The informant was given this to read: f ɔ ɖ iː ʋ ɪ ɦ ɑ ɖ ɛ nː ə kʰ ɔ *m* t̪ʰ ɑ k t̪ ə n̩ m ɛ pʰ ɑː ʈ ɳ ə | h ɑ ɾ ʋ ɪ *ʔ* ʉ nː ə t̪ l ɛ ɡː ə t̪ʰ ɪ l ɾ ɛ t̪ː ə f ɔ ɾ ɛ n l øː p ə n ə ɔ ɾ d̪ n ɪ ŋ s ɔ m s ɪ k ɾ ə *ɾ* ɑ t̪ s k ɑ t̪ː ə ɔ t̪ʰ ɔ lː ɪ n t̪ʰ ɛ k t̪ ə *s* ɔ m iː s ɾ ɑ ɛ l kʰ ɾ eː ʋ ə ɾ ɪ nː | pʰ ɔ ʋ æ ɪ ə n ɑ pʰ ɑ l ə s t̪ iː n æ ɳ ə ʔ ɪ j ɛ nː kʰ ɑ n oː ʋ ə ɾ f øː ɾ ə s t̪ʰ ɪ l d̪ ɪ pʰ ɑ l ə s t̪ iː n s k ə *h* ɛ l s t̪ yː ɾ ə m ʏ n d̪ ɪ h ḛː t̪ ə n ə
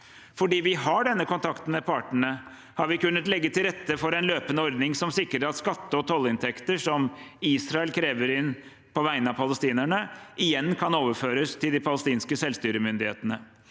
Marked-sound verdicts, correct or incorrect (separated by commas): incorrect, incorrect, correct, incorrect, incorrect